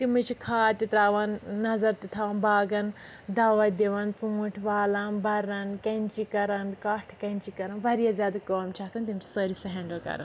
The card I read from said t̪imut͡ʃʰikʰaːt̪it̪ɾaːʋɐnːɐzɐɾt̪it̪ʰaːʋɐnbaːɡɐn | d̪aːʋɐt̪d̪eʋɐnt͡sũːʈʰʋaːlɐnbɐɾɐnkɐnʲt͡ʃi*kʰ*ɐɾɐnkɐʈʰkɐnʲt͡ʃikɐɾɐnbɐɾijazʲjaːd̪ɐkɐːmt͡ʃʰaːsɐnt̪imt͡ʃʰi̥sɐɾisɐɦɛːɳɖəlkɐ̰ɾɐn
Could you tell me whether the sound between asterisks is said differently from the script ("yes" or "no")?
yes